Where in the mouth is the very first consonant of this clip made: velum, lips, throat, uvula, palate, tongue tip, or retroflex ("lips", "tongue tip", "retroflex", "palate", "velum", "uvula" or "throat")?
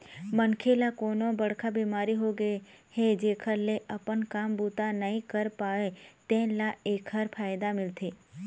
lips